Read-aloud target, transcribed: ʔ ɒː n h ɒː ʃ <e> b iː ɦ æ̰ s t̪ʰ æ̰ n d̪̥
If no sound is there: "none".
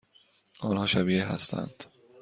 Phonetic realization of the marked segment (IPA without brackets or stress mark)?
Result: æ